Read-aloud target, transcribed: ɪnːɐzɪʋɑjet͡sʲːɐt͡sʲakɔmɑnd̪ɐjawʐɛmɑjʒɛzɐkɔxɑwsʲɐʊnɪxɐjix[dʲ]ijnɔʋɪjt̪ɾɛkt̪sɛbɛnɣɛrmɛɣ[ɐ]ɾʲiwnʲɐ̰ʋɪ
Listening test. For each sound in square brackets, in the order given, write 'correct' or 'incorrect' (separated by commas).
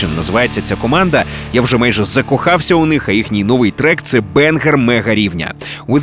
incorrect, correct